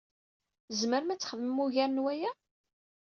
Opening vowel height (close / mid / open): mid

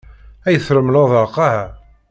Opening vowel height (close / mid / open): open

